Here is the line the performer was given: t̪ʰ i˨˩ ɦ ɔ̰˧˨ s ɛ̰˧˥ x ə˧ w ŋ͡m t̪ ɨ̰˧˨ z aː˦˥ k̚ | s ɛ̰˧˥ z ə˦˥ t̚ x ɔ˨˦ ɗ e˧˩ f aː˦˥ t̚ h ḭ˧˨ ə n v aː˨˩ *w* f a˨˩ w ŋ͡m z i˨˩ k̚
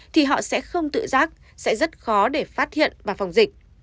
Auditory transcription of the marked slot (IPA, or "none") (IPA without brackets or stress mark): none